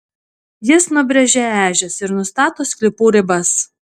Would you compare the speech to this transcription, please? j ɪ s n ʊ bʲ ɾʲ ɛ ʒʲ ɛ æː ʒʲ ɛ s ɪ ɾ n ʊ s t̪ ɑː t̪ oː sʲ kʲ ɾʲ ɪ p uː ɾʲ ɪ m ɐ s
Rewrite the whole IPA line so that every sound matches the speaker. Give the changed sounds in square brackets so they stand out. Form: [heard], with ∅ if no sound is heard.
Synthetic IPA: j ɪ s n ʊ bʲ ɾʲ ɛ ʒʲ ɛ æː ʒʲ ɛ s ɪ ɾ n ʊ s t̪ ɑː t̪ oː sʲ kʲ [lʲ] ɪ p uː ɾʲ ɪ [b] ɐ s